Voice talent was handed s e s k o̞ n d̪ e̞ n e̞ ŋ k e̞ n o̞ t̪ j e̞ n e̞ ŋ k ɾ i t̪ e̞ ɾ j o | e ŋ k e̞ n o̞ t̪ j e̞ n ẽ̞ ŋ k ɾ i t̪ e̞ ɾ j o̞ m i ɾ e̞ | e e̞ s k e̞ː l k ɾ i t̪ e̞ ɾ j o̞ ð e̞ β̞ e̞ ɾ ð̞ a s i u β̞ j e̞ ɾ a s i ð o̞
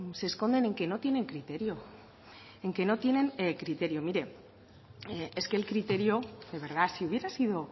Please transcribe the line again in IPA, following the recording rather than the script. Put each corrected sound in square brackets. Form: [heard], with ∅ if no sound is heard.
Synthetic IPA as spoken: s e s k o̞ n d̪ e̞ n e̞ ŋ k e̞ n o̞ t̪ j e̞ n e̞ ŋ k ɾ i t̪ e̞ ɾ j o | e ŋ k e̞ n o̞ t̪ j e̞ n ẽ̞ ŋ k ɾ i t̪ e̞ ɾ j o̞ m i ɾ e̞ | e e̞ s k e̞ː l k ɾ i t̪ e̞ ɾ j o̞ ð e̞ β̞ e̞ ɾ ð̞ a s i u β̞ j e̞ ɾ a s i ð o̞

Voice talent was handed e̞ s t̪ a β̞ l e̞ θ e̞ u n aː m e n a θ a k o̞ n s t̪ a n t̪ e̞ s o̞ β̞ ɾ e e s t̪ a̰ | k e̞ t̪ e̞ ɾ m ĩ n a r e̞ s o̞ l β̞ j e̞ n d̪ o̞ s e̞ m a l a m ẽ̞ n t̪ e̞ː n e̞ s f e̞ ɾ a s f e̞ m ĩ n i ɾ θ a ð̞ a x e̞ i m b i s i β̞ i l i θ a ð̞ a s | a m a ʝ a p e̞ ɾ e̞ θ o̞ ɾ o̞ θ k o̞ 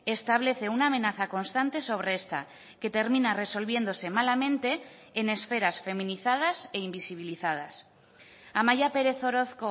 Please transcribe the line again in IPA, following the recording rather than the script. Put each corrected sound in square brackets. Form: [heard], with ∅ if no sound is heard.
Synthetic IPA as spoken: e̞ s t̪ a β̞ l e̞ θ e̞ u n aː m e n a θ a k o̞ n s t̪ a n t̪ e̞ s o̞ β̞ ɾ e e s t̪ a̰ | k e̞ t̪ e̞ ɾ m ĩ n a r e̞ s o̞ l β̞ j e̞ n d̪ o̞ s e̞ m a l a m ẽ̞ n t̪ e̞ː n e̞ s f e̞ ɾ a s f e̞ m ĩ n i [∅] θ a ð̞ a [s] e̞ i m b i s i β̞ i l i θ a ð̞ a s | a m a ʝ a p e̞ ɾ e̞ θ o̞ ɾ o̞ θ k o̞

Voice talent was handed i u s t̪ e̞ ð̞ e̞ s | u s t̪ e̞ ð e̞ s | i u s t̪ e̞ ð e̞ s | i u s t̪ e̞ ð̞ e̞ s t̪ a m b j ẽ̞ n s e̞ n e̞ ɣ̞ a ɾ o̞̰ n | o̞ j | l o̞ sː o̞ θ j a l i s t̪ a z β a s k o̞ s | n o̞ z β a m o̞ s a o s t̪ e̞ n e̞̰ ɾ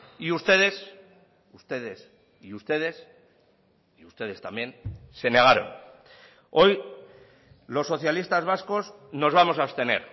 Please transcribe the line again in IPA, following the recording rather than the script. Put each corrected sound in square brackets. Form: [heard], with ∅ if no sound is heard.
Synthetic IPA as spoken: i u s t̪ e̞ ð̞ e̞ s | u s t̪ e̞ ð e̞ s | i u s t̪ e̞ ð e̞ s | i u s t̪ e̞ ð̞ e̞ s t̪ a m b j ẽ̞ n s e̞ n e̞ ɣ̞ a ɾ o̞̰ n | o̞ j | l o̞ sː o̞ θ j a l i s t̪ a z β a s k o̞ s | n o̞ z β a m o̞ s a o s t̪ e̞ n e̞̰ ɾ

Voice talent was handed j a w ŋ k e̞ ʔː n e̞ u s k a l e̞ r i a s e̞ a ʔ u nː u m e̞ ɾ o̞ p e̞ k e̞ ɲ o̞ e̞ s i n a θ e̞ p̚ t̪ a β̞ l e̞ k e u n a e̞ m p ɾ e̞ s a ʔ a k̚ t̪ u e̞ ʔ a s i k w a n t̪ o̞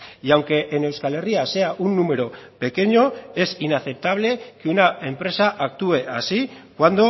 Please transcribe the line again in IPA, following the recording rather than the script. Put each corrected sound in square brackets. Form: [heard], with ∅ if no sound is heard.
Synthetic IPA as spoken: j a w ŋ k e̞ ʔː n e̞ [w] s k a l e̞ r i a s e̞ a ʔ u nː u m e̞ ɾ o̞ p e̞ k e̞ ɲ o̞ e̞ s i n a θ e̞ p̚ t̪ a β̞ l e̞ k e u n a e̞ m p ɾ e̞ s a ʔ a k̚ t̪ u e̞ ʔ a s i k w a n [d̪] o̞

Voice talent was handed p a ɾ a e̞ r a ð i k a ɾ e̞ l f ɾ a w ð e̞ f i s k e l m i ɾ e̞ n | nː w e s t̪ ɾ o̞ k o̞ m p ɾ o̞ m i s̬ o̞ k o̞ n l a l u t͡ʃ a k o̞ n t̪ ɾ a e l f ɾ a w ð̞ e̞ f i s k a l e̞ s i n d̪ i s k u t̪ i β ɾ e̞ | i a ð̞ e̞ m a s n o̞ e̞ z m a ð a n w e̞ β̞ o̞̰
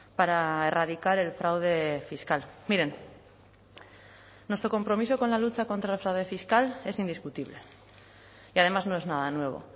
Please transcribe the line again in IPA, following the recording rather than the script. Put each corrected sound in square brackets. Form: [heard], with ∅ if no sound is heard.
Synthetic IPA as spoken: p a ɾ a e̞ r a ð i k a ɾ e̞ l f ɾ a w ð e̞ f i s k [a] l m i ɾ e̞ n | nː w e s t̪ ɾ o̞ k o̞ m p ɾ o̞ m i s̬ o̞ k o̞ n l a l u t͡ʃ a k o̞ n t̪ ɾ a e l f ɾ a w ð̞ e̞ f i s k a l e̞ s i n d̪ i s k u t̪ i β [l] e̞ | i a ð̞ e̞ m a [z] n o̞ e̞ z [n] a ð a n w e̞ β̞ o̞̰

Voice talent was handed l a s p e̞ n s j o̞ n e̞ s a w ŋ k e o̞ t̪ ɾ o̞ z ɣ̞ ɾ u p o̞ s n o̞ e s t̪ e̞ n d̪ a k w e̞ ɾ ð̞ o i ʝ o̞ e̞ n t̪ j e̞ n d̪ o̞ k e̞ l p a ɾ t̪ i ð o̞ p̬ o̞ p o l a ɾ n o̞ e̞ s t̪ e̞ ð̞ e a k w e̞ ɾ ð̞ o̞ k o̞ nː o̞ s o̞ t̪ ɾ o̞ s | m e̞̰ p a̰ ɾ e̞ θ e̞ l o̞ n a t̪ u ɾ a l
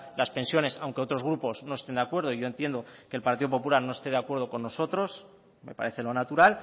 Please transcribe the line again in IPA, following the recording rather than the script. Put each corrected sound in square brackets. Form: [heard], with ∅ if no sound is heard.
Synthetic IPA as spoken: l a s p e̞ n s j o̞ n e̞ s a w ŋ k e o̞ t̪ ɾ o̞ z ɣ̞ ɾ u p o̞ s n o̞ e s t̪ e̞ n d̪ a k w e̞ ɾ ð̞ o i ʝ o̞ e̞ n t̪ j e̞ n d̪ o̞ k e̞ l p a ɾ t̪ i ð o̞ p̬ o̞ p [u] l a ɾ n o̞ e̞ s t̪ e̞ ð̞ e a k w e̞ ɾ ð̞ o̞ k o̞ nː o̞ s o̞ t̪ ɾ o̞ s | m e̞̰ p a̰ ɾ e̞ θ e̞ l o̞ n a t̪ u ɾ a l

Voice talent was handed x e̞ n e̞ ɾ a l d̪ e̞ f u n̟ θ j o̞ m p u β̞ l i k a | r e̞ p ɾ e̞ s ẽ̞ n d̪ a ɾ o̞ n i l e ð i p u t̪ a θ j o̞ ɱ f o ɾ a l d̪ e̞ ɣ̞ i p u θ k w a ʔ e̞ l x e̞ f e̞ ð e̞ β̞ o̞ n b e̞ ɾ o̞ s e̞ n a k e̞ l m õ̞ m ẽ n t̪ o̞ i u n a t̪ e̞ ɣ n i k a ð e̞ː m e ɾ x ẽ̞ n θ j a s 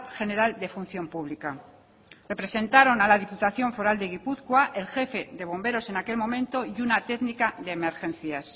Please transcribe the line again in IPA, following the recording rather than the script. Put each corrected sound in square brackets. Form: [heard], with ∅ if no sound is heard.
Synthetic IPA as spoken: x e̞ n e̞ ɾ a l d̪ e̞ f u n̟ θ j o̞ m p u β̞ l i k a | r e̞ p ɾ e̞ s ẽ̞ n [t̪] a ɾ o̞ n [a] l [a] ð i p u t̪ a θ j o̞ ɱ f o ɾ a l d̪ e̞ ɣ̞ i p u θ k w a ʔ e̞ l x e̞ f e̞ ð e̞ β̞ o̞ [m] b e̞ ɾ o̞ s e̞ n a k e̞ l m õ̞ m ẽ n t̪ o̞ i u n a t̪ e̞ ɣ n i k a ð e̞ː m e ɾ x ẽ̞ n θ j a s

